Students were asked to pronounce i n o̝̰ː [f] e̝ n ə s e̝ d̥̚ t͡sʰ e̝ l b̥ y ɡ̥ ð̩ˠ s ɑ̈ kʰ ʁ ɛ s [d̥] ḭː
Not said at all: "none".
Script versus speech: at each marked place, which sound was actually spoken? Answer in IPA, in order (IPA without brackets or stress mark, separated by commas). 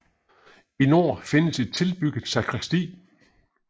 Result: f, d̥